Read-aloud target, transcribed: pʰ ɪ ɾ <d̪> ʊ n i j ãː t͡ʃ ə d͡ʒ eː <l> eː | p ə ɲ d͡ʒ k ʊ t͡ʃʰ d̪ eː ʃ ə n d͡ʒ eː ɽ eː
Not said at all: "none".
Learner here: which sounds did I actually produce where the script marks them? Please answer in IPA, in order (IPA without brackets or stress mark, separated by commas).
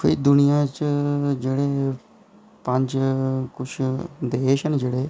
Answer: d̪, ɽ